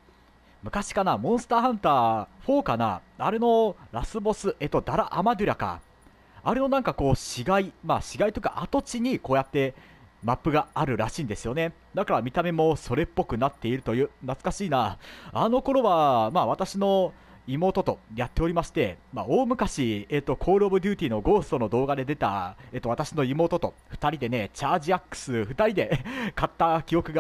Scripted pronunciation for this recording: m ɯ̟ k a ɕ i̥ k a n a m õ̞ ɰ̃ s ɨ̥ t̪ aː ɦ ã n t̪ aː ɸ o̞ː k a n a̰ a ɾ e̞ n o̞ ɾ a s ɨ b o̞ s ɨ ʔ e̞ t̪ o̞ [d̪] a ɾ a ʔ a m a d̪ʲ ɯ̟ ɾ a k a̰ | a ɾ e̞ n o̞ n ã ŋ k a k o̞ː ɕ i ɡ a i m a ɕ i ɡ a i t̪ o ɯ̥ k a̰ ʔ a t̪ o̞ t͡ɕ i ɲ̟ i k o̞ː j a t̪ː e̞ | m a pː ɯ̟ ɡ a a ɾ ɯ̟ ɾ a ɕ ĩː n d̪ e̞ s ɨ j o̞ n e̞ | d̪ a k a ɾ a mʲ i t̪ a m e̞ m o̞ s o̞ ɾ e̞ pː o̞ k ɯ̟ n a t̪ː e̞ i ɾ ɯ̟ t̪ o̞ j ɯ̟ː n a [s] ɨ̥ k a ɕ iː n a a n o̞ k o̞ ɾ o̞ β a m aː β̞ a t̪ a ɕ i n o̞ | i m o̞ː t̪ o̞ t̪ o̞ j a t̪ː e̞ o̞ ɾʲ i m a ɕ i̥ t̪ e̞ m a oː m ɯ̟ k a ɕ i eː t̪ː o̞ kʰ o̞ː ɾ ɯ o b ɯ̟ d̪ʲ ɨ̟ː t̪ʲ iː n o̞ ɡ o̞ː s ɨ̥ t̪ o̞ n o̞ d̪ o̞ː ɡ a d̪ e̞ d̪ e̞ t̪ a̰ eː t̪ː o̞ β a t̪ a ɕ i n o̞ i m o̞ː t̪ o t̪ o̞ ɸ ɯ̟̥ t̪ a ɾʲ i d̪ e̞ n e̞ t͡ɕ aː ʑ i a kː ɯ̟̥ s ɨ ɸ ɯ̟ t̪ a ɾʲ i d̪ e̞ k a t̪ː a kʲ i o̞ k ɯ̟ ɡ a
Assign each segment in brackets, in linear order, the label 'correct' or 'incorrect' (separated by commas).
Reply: correct, incorrect